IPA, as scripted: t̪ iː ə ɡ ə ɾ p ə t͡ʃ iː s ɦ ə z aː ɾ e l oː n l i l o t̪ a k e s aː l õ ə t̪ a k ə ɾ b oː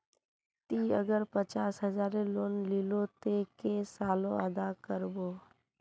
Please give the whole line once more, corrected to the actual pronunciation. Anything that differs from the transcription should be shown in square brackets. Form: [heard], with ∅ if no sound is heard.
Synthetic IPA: t̪ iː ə ɡ ə ɾ p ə t͡ʃ [aː] s ɦ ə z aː ɾ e l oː n l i l o t̪ [e] k e s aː l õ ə [d̪] a k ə ɾ b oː